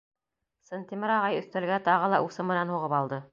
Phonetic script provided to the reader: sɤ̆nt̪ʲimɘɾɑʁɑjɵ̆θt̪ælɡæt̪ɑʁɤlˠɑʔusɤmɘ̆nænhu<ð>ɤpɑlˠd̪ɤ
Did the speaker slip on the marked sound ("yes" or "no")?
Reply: yes